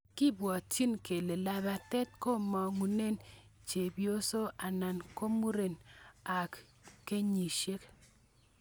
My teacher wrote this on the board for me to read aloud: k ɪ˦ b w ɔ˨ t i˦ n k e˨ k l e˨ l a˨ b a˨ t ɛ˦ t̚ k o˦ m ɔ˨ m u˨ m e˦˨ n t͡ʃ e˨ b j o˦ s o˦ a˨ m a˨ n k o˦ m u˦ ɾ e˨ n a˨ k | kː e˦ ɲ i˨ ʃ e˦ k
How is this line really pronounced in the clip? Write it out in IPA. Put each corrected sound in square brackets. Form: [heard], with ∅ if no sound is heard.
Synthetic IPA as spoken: k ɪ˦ b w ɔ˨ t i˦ n k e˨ [∅] l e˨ l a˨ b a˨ t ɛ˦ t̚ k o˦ m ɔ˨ [ŋ] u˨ [n] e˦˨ n t͡ʃ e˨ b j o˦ s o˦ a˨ [n] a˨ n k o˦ m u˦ ɾ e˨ n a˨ k | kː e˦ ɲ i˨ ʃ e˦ k

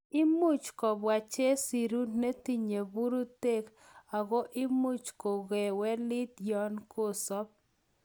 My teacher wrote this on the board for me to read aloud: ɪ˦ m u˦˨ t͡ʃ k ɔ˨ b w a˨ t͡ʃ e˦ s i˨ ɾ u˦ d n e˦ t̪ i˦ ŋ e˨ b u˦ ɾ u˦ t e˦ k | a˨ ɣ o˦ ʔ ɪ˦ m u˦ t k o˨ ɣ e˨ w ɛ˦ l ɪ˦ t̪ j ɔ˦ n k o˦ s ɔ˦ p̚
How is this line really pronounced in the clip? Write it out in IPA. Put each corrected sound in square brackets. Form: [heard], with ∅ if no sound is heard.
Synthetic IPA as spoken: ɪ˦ m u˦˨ t͡ʃ k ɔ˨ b w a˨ t͡ʃ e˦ s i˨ ɾ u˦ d n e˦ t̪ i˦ [ɲ] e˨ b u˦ ɾ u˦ t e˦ k | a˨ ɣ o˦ ʔ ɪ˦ m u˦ [t͡ʃ] k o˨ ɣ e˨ w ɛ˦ l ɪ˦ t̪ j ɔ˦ n k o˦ s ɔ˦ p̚

